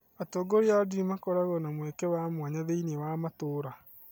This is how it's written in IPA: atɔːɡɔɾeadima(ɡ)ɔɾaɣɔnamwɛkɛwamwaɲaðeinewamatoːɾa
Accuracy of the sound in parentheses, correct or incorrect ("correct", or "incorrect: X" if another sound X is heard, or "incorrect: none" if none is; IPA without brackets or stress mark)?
incorrect: k